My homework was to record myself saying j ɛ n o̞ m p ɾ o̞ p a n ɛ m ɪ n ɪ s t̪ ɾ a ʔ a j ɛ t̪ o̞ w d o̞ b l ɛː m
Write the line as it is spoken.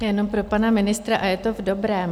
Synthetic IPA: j ɛ n o̞ m p ɾ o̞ p a n a m ɪ n ɪ s t̪ ɾ a ʔ a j ɛ t̪ o̞ v d o̞ b ɾ ɛː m